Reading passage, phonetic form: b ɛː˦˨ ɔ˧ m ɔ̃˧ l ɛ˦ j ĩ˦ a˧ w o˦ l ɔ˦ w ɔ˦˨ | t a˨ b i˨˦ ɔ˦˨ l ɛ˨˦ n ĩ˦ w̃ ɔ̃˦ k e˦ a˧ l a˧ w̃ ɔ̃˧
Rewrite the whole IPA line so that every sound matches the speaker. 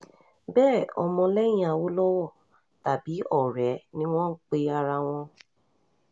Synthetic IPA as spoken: b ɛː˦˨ ɔ˧ m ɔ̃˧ l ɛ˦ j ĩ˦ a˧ w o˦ l ɔ˦ w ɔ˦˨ | t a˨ b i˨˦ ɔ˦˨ ɾ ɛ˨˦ n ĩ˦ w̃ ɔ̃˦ k͡p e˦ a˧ ɾ a˧ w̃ ɔ̃˧